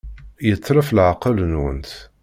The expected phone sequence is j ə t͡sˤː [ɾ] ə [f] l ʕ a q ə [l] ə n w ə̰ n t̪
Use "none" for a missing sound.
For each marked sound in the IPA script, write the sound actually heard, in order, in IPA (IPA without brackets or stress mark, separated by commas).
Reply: ɾ, f, l